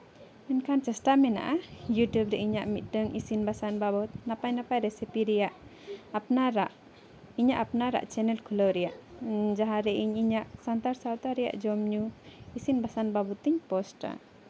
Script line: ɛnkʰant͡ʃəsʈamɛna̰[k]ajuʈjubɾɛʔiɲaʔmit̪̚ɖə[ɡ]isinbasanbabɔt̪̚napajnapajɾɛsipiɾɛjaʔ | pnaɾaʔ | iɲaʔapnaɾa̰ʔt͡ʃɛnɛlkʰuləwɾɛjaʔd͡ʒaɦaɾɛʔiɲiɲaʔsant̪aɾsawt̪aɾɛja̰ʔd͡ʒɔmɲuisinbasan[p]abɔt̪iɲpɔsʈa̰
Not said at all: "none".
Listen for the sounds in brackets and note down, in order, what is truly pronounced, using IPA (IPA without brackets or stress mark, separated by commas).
ʔ, ŋ, b